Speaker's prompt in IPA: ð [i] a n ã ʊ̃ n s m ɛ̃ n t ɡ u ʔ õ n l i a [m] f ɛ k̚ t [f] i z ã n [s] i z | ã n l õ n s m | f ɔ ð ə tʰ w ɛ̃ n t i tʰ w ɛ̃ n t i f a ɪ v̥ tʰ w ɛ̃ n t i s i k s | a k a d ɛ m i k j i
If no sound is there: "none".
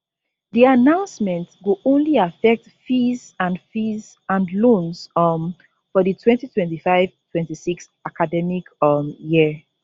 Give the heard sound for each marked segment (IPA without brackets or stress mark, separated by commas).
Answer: i, none, f, f